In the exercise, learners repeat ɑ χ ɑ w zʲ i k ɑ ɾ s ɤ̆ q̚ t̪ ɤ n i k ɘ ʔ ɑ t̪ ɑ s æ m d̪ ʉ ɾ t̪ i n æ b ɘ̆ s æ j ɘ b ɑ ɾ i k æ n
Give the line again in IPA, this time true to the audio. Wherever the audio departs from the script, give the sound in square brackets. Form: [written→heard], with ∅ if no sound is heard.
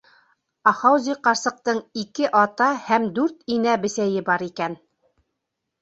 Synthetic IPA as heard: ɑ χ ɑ w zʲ i [k→q] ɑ ɾ s ɤ̆ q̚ t̪ ɤ [n→ɴ] i k ɘ ʔ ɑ t̪ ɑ [s→h] æ m d̪ ʉ ɾ t̪ i n æ b ɘ̆ s æ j ɘ b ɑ ɾ i k æ n